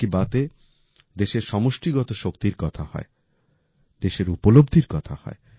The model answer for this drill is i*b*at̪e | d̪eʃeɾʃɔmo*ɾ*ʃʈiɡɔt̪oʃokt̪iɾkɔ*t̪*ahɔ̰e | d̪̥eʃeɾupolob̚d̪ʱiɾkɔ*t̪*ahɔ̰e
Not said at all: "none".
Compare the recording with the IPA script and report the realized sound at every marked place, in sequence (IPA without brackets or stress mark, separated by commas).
b, none, t̪ʰ, t̪ʰ